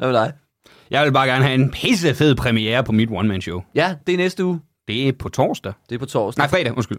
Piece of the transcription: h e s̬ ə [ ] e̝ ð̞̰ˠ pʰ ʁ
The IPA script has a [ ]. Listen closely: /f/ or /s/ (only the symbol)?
f